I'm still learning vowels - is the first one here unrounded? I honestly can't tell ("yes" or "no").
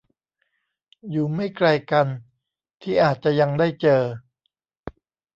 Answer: no